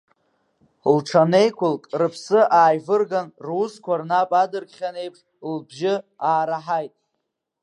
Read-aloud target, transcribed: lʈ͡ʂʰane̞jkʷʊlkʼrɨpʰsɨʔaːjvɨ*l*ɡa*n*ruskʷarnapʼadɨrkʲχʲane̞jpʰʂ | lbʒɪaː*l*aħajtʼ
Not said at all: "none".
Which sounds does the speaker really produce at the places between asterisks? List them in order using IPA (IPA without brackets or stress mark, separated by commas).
r, n, ɾ